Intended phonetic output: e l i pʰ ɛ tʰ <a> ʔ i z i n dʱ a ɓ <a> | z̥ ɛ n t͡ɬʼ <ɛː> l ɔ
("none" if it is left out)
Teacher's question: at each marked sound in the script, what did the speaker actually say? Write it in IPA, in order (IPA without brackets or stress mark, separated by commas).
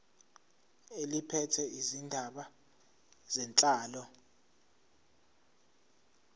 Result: ɛ, a, aː